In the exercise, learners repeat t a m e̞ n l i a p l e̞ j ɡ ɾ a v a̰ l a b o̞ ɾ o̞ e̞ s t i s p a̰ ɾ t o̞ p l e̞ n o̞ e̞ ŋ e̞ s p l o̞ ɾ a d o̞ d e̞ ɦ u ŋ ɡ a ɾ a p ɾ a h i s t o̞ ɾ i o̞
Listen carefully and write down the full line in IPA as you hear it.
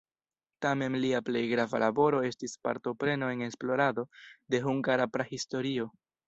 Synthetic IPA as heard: t a m e̞ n l i a p l e̞ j ɡ ɾ a v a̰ l a b o̞ ɾ o̞ e̞ s t i s p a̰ ɾ t o̞ p ɾ e̞ n o̞ e̞ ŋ e̞ s p l o̞ ɾ a d o̞ d e̞ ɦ u ŋ ɡ a ɾ a p ɾ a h i s t o̞ ɾ i o̞